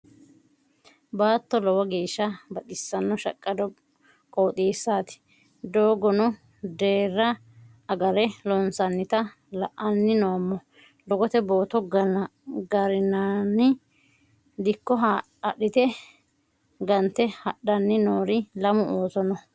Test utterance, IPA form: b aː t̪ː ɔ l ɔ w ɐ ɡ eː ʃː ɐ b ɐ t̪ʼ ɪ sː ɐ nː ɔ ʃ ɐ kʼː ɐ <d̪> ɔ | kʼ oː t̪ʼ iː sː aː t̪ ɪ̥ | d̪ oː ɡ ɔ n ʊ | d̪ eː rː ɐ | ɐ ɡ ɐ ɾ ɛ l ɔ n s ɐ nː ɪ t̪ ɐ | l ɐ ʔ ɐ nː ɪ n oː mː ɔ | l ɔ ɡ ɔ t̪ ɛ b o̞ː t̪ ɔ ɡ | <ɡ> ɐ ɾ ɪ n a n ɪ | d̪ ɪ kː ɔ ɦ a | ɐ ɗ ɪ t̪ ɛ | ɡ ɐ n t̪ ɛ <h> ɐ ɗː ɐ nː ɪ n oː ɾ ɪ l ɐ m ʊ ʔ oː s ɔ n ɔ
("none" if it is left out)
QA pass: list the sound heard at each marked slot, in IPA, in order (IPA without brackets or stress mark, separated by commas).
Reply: d̪, ɡ, h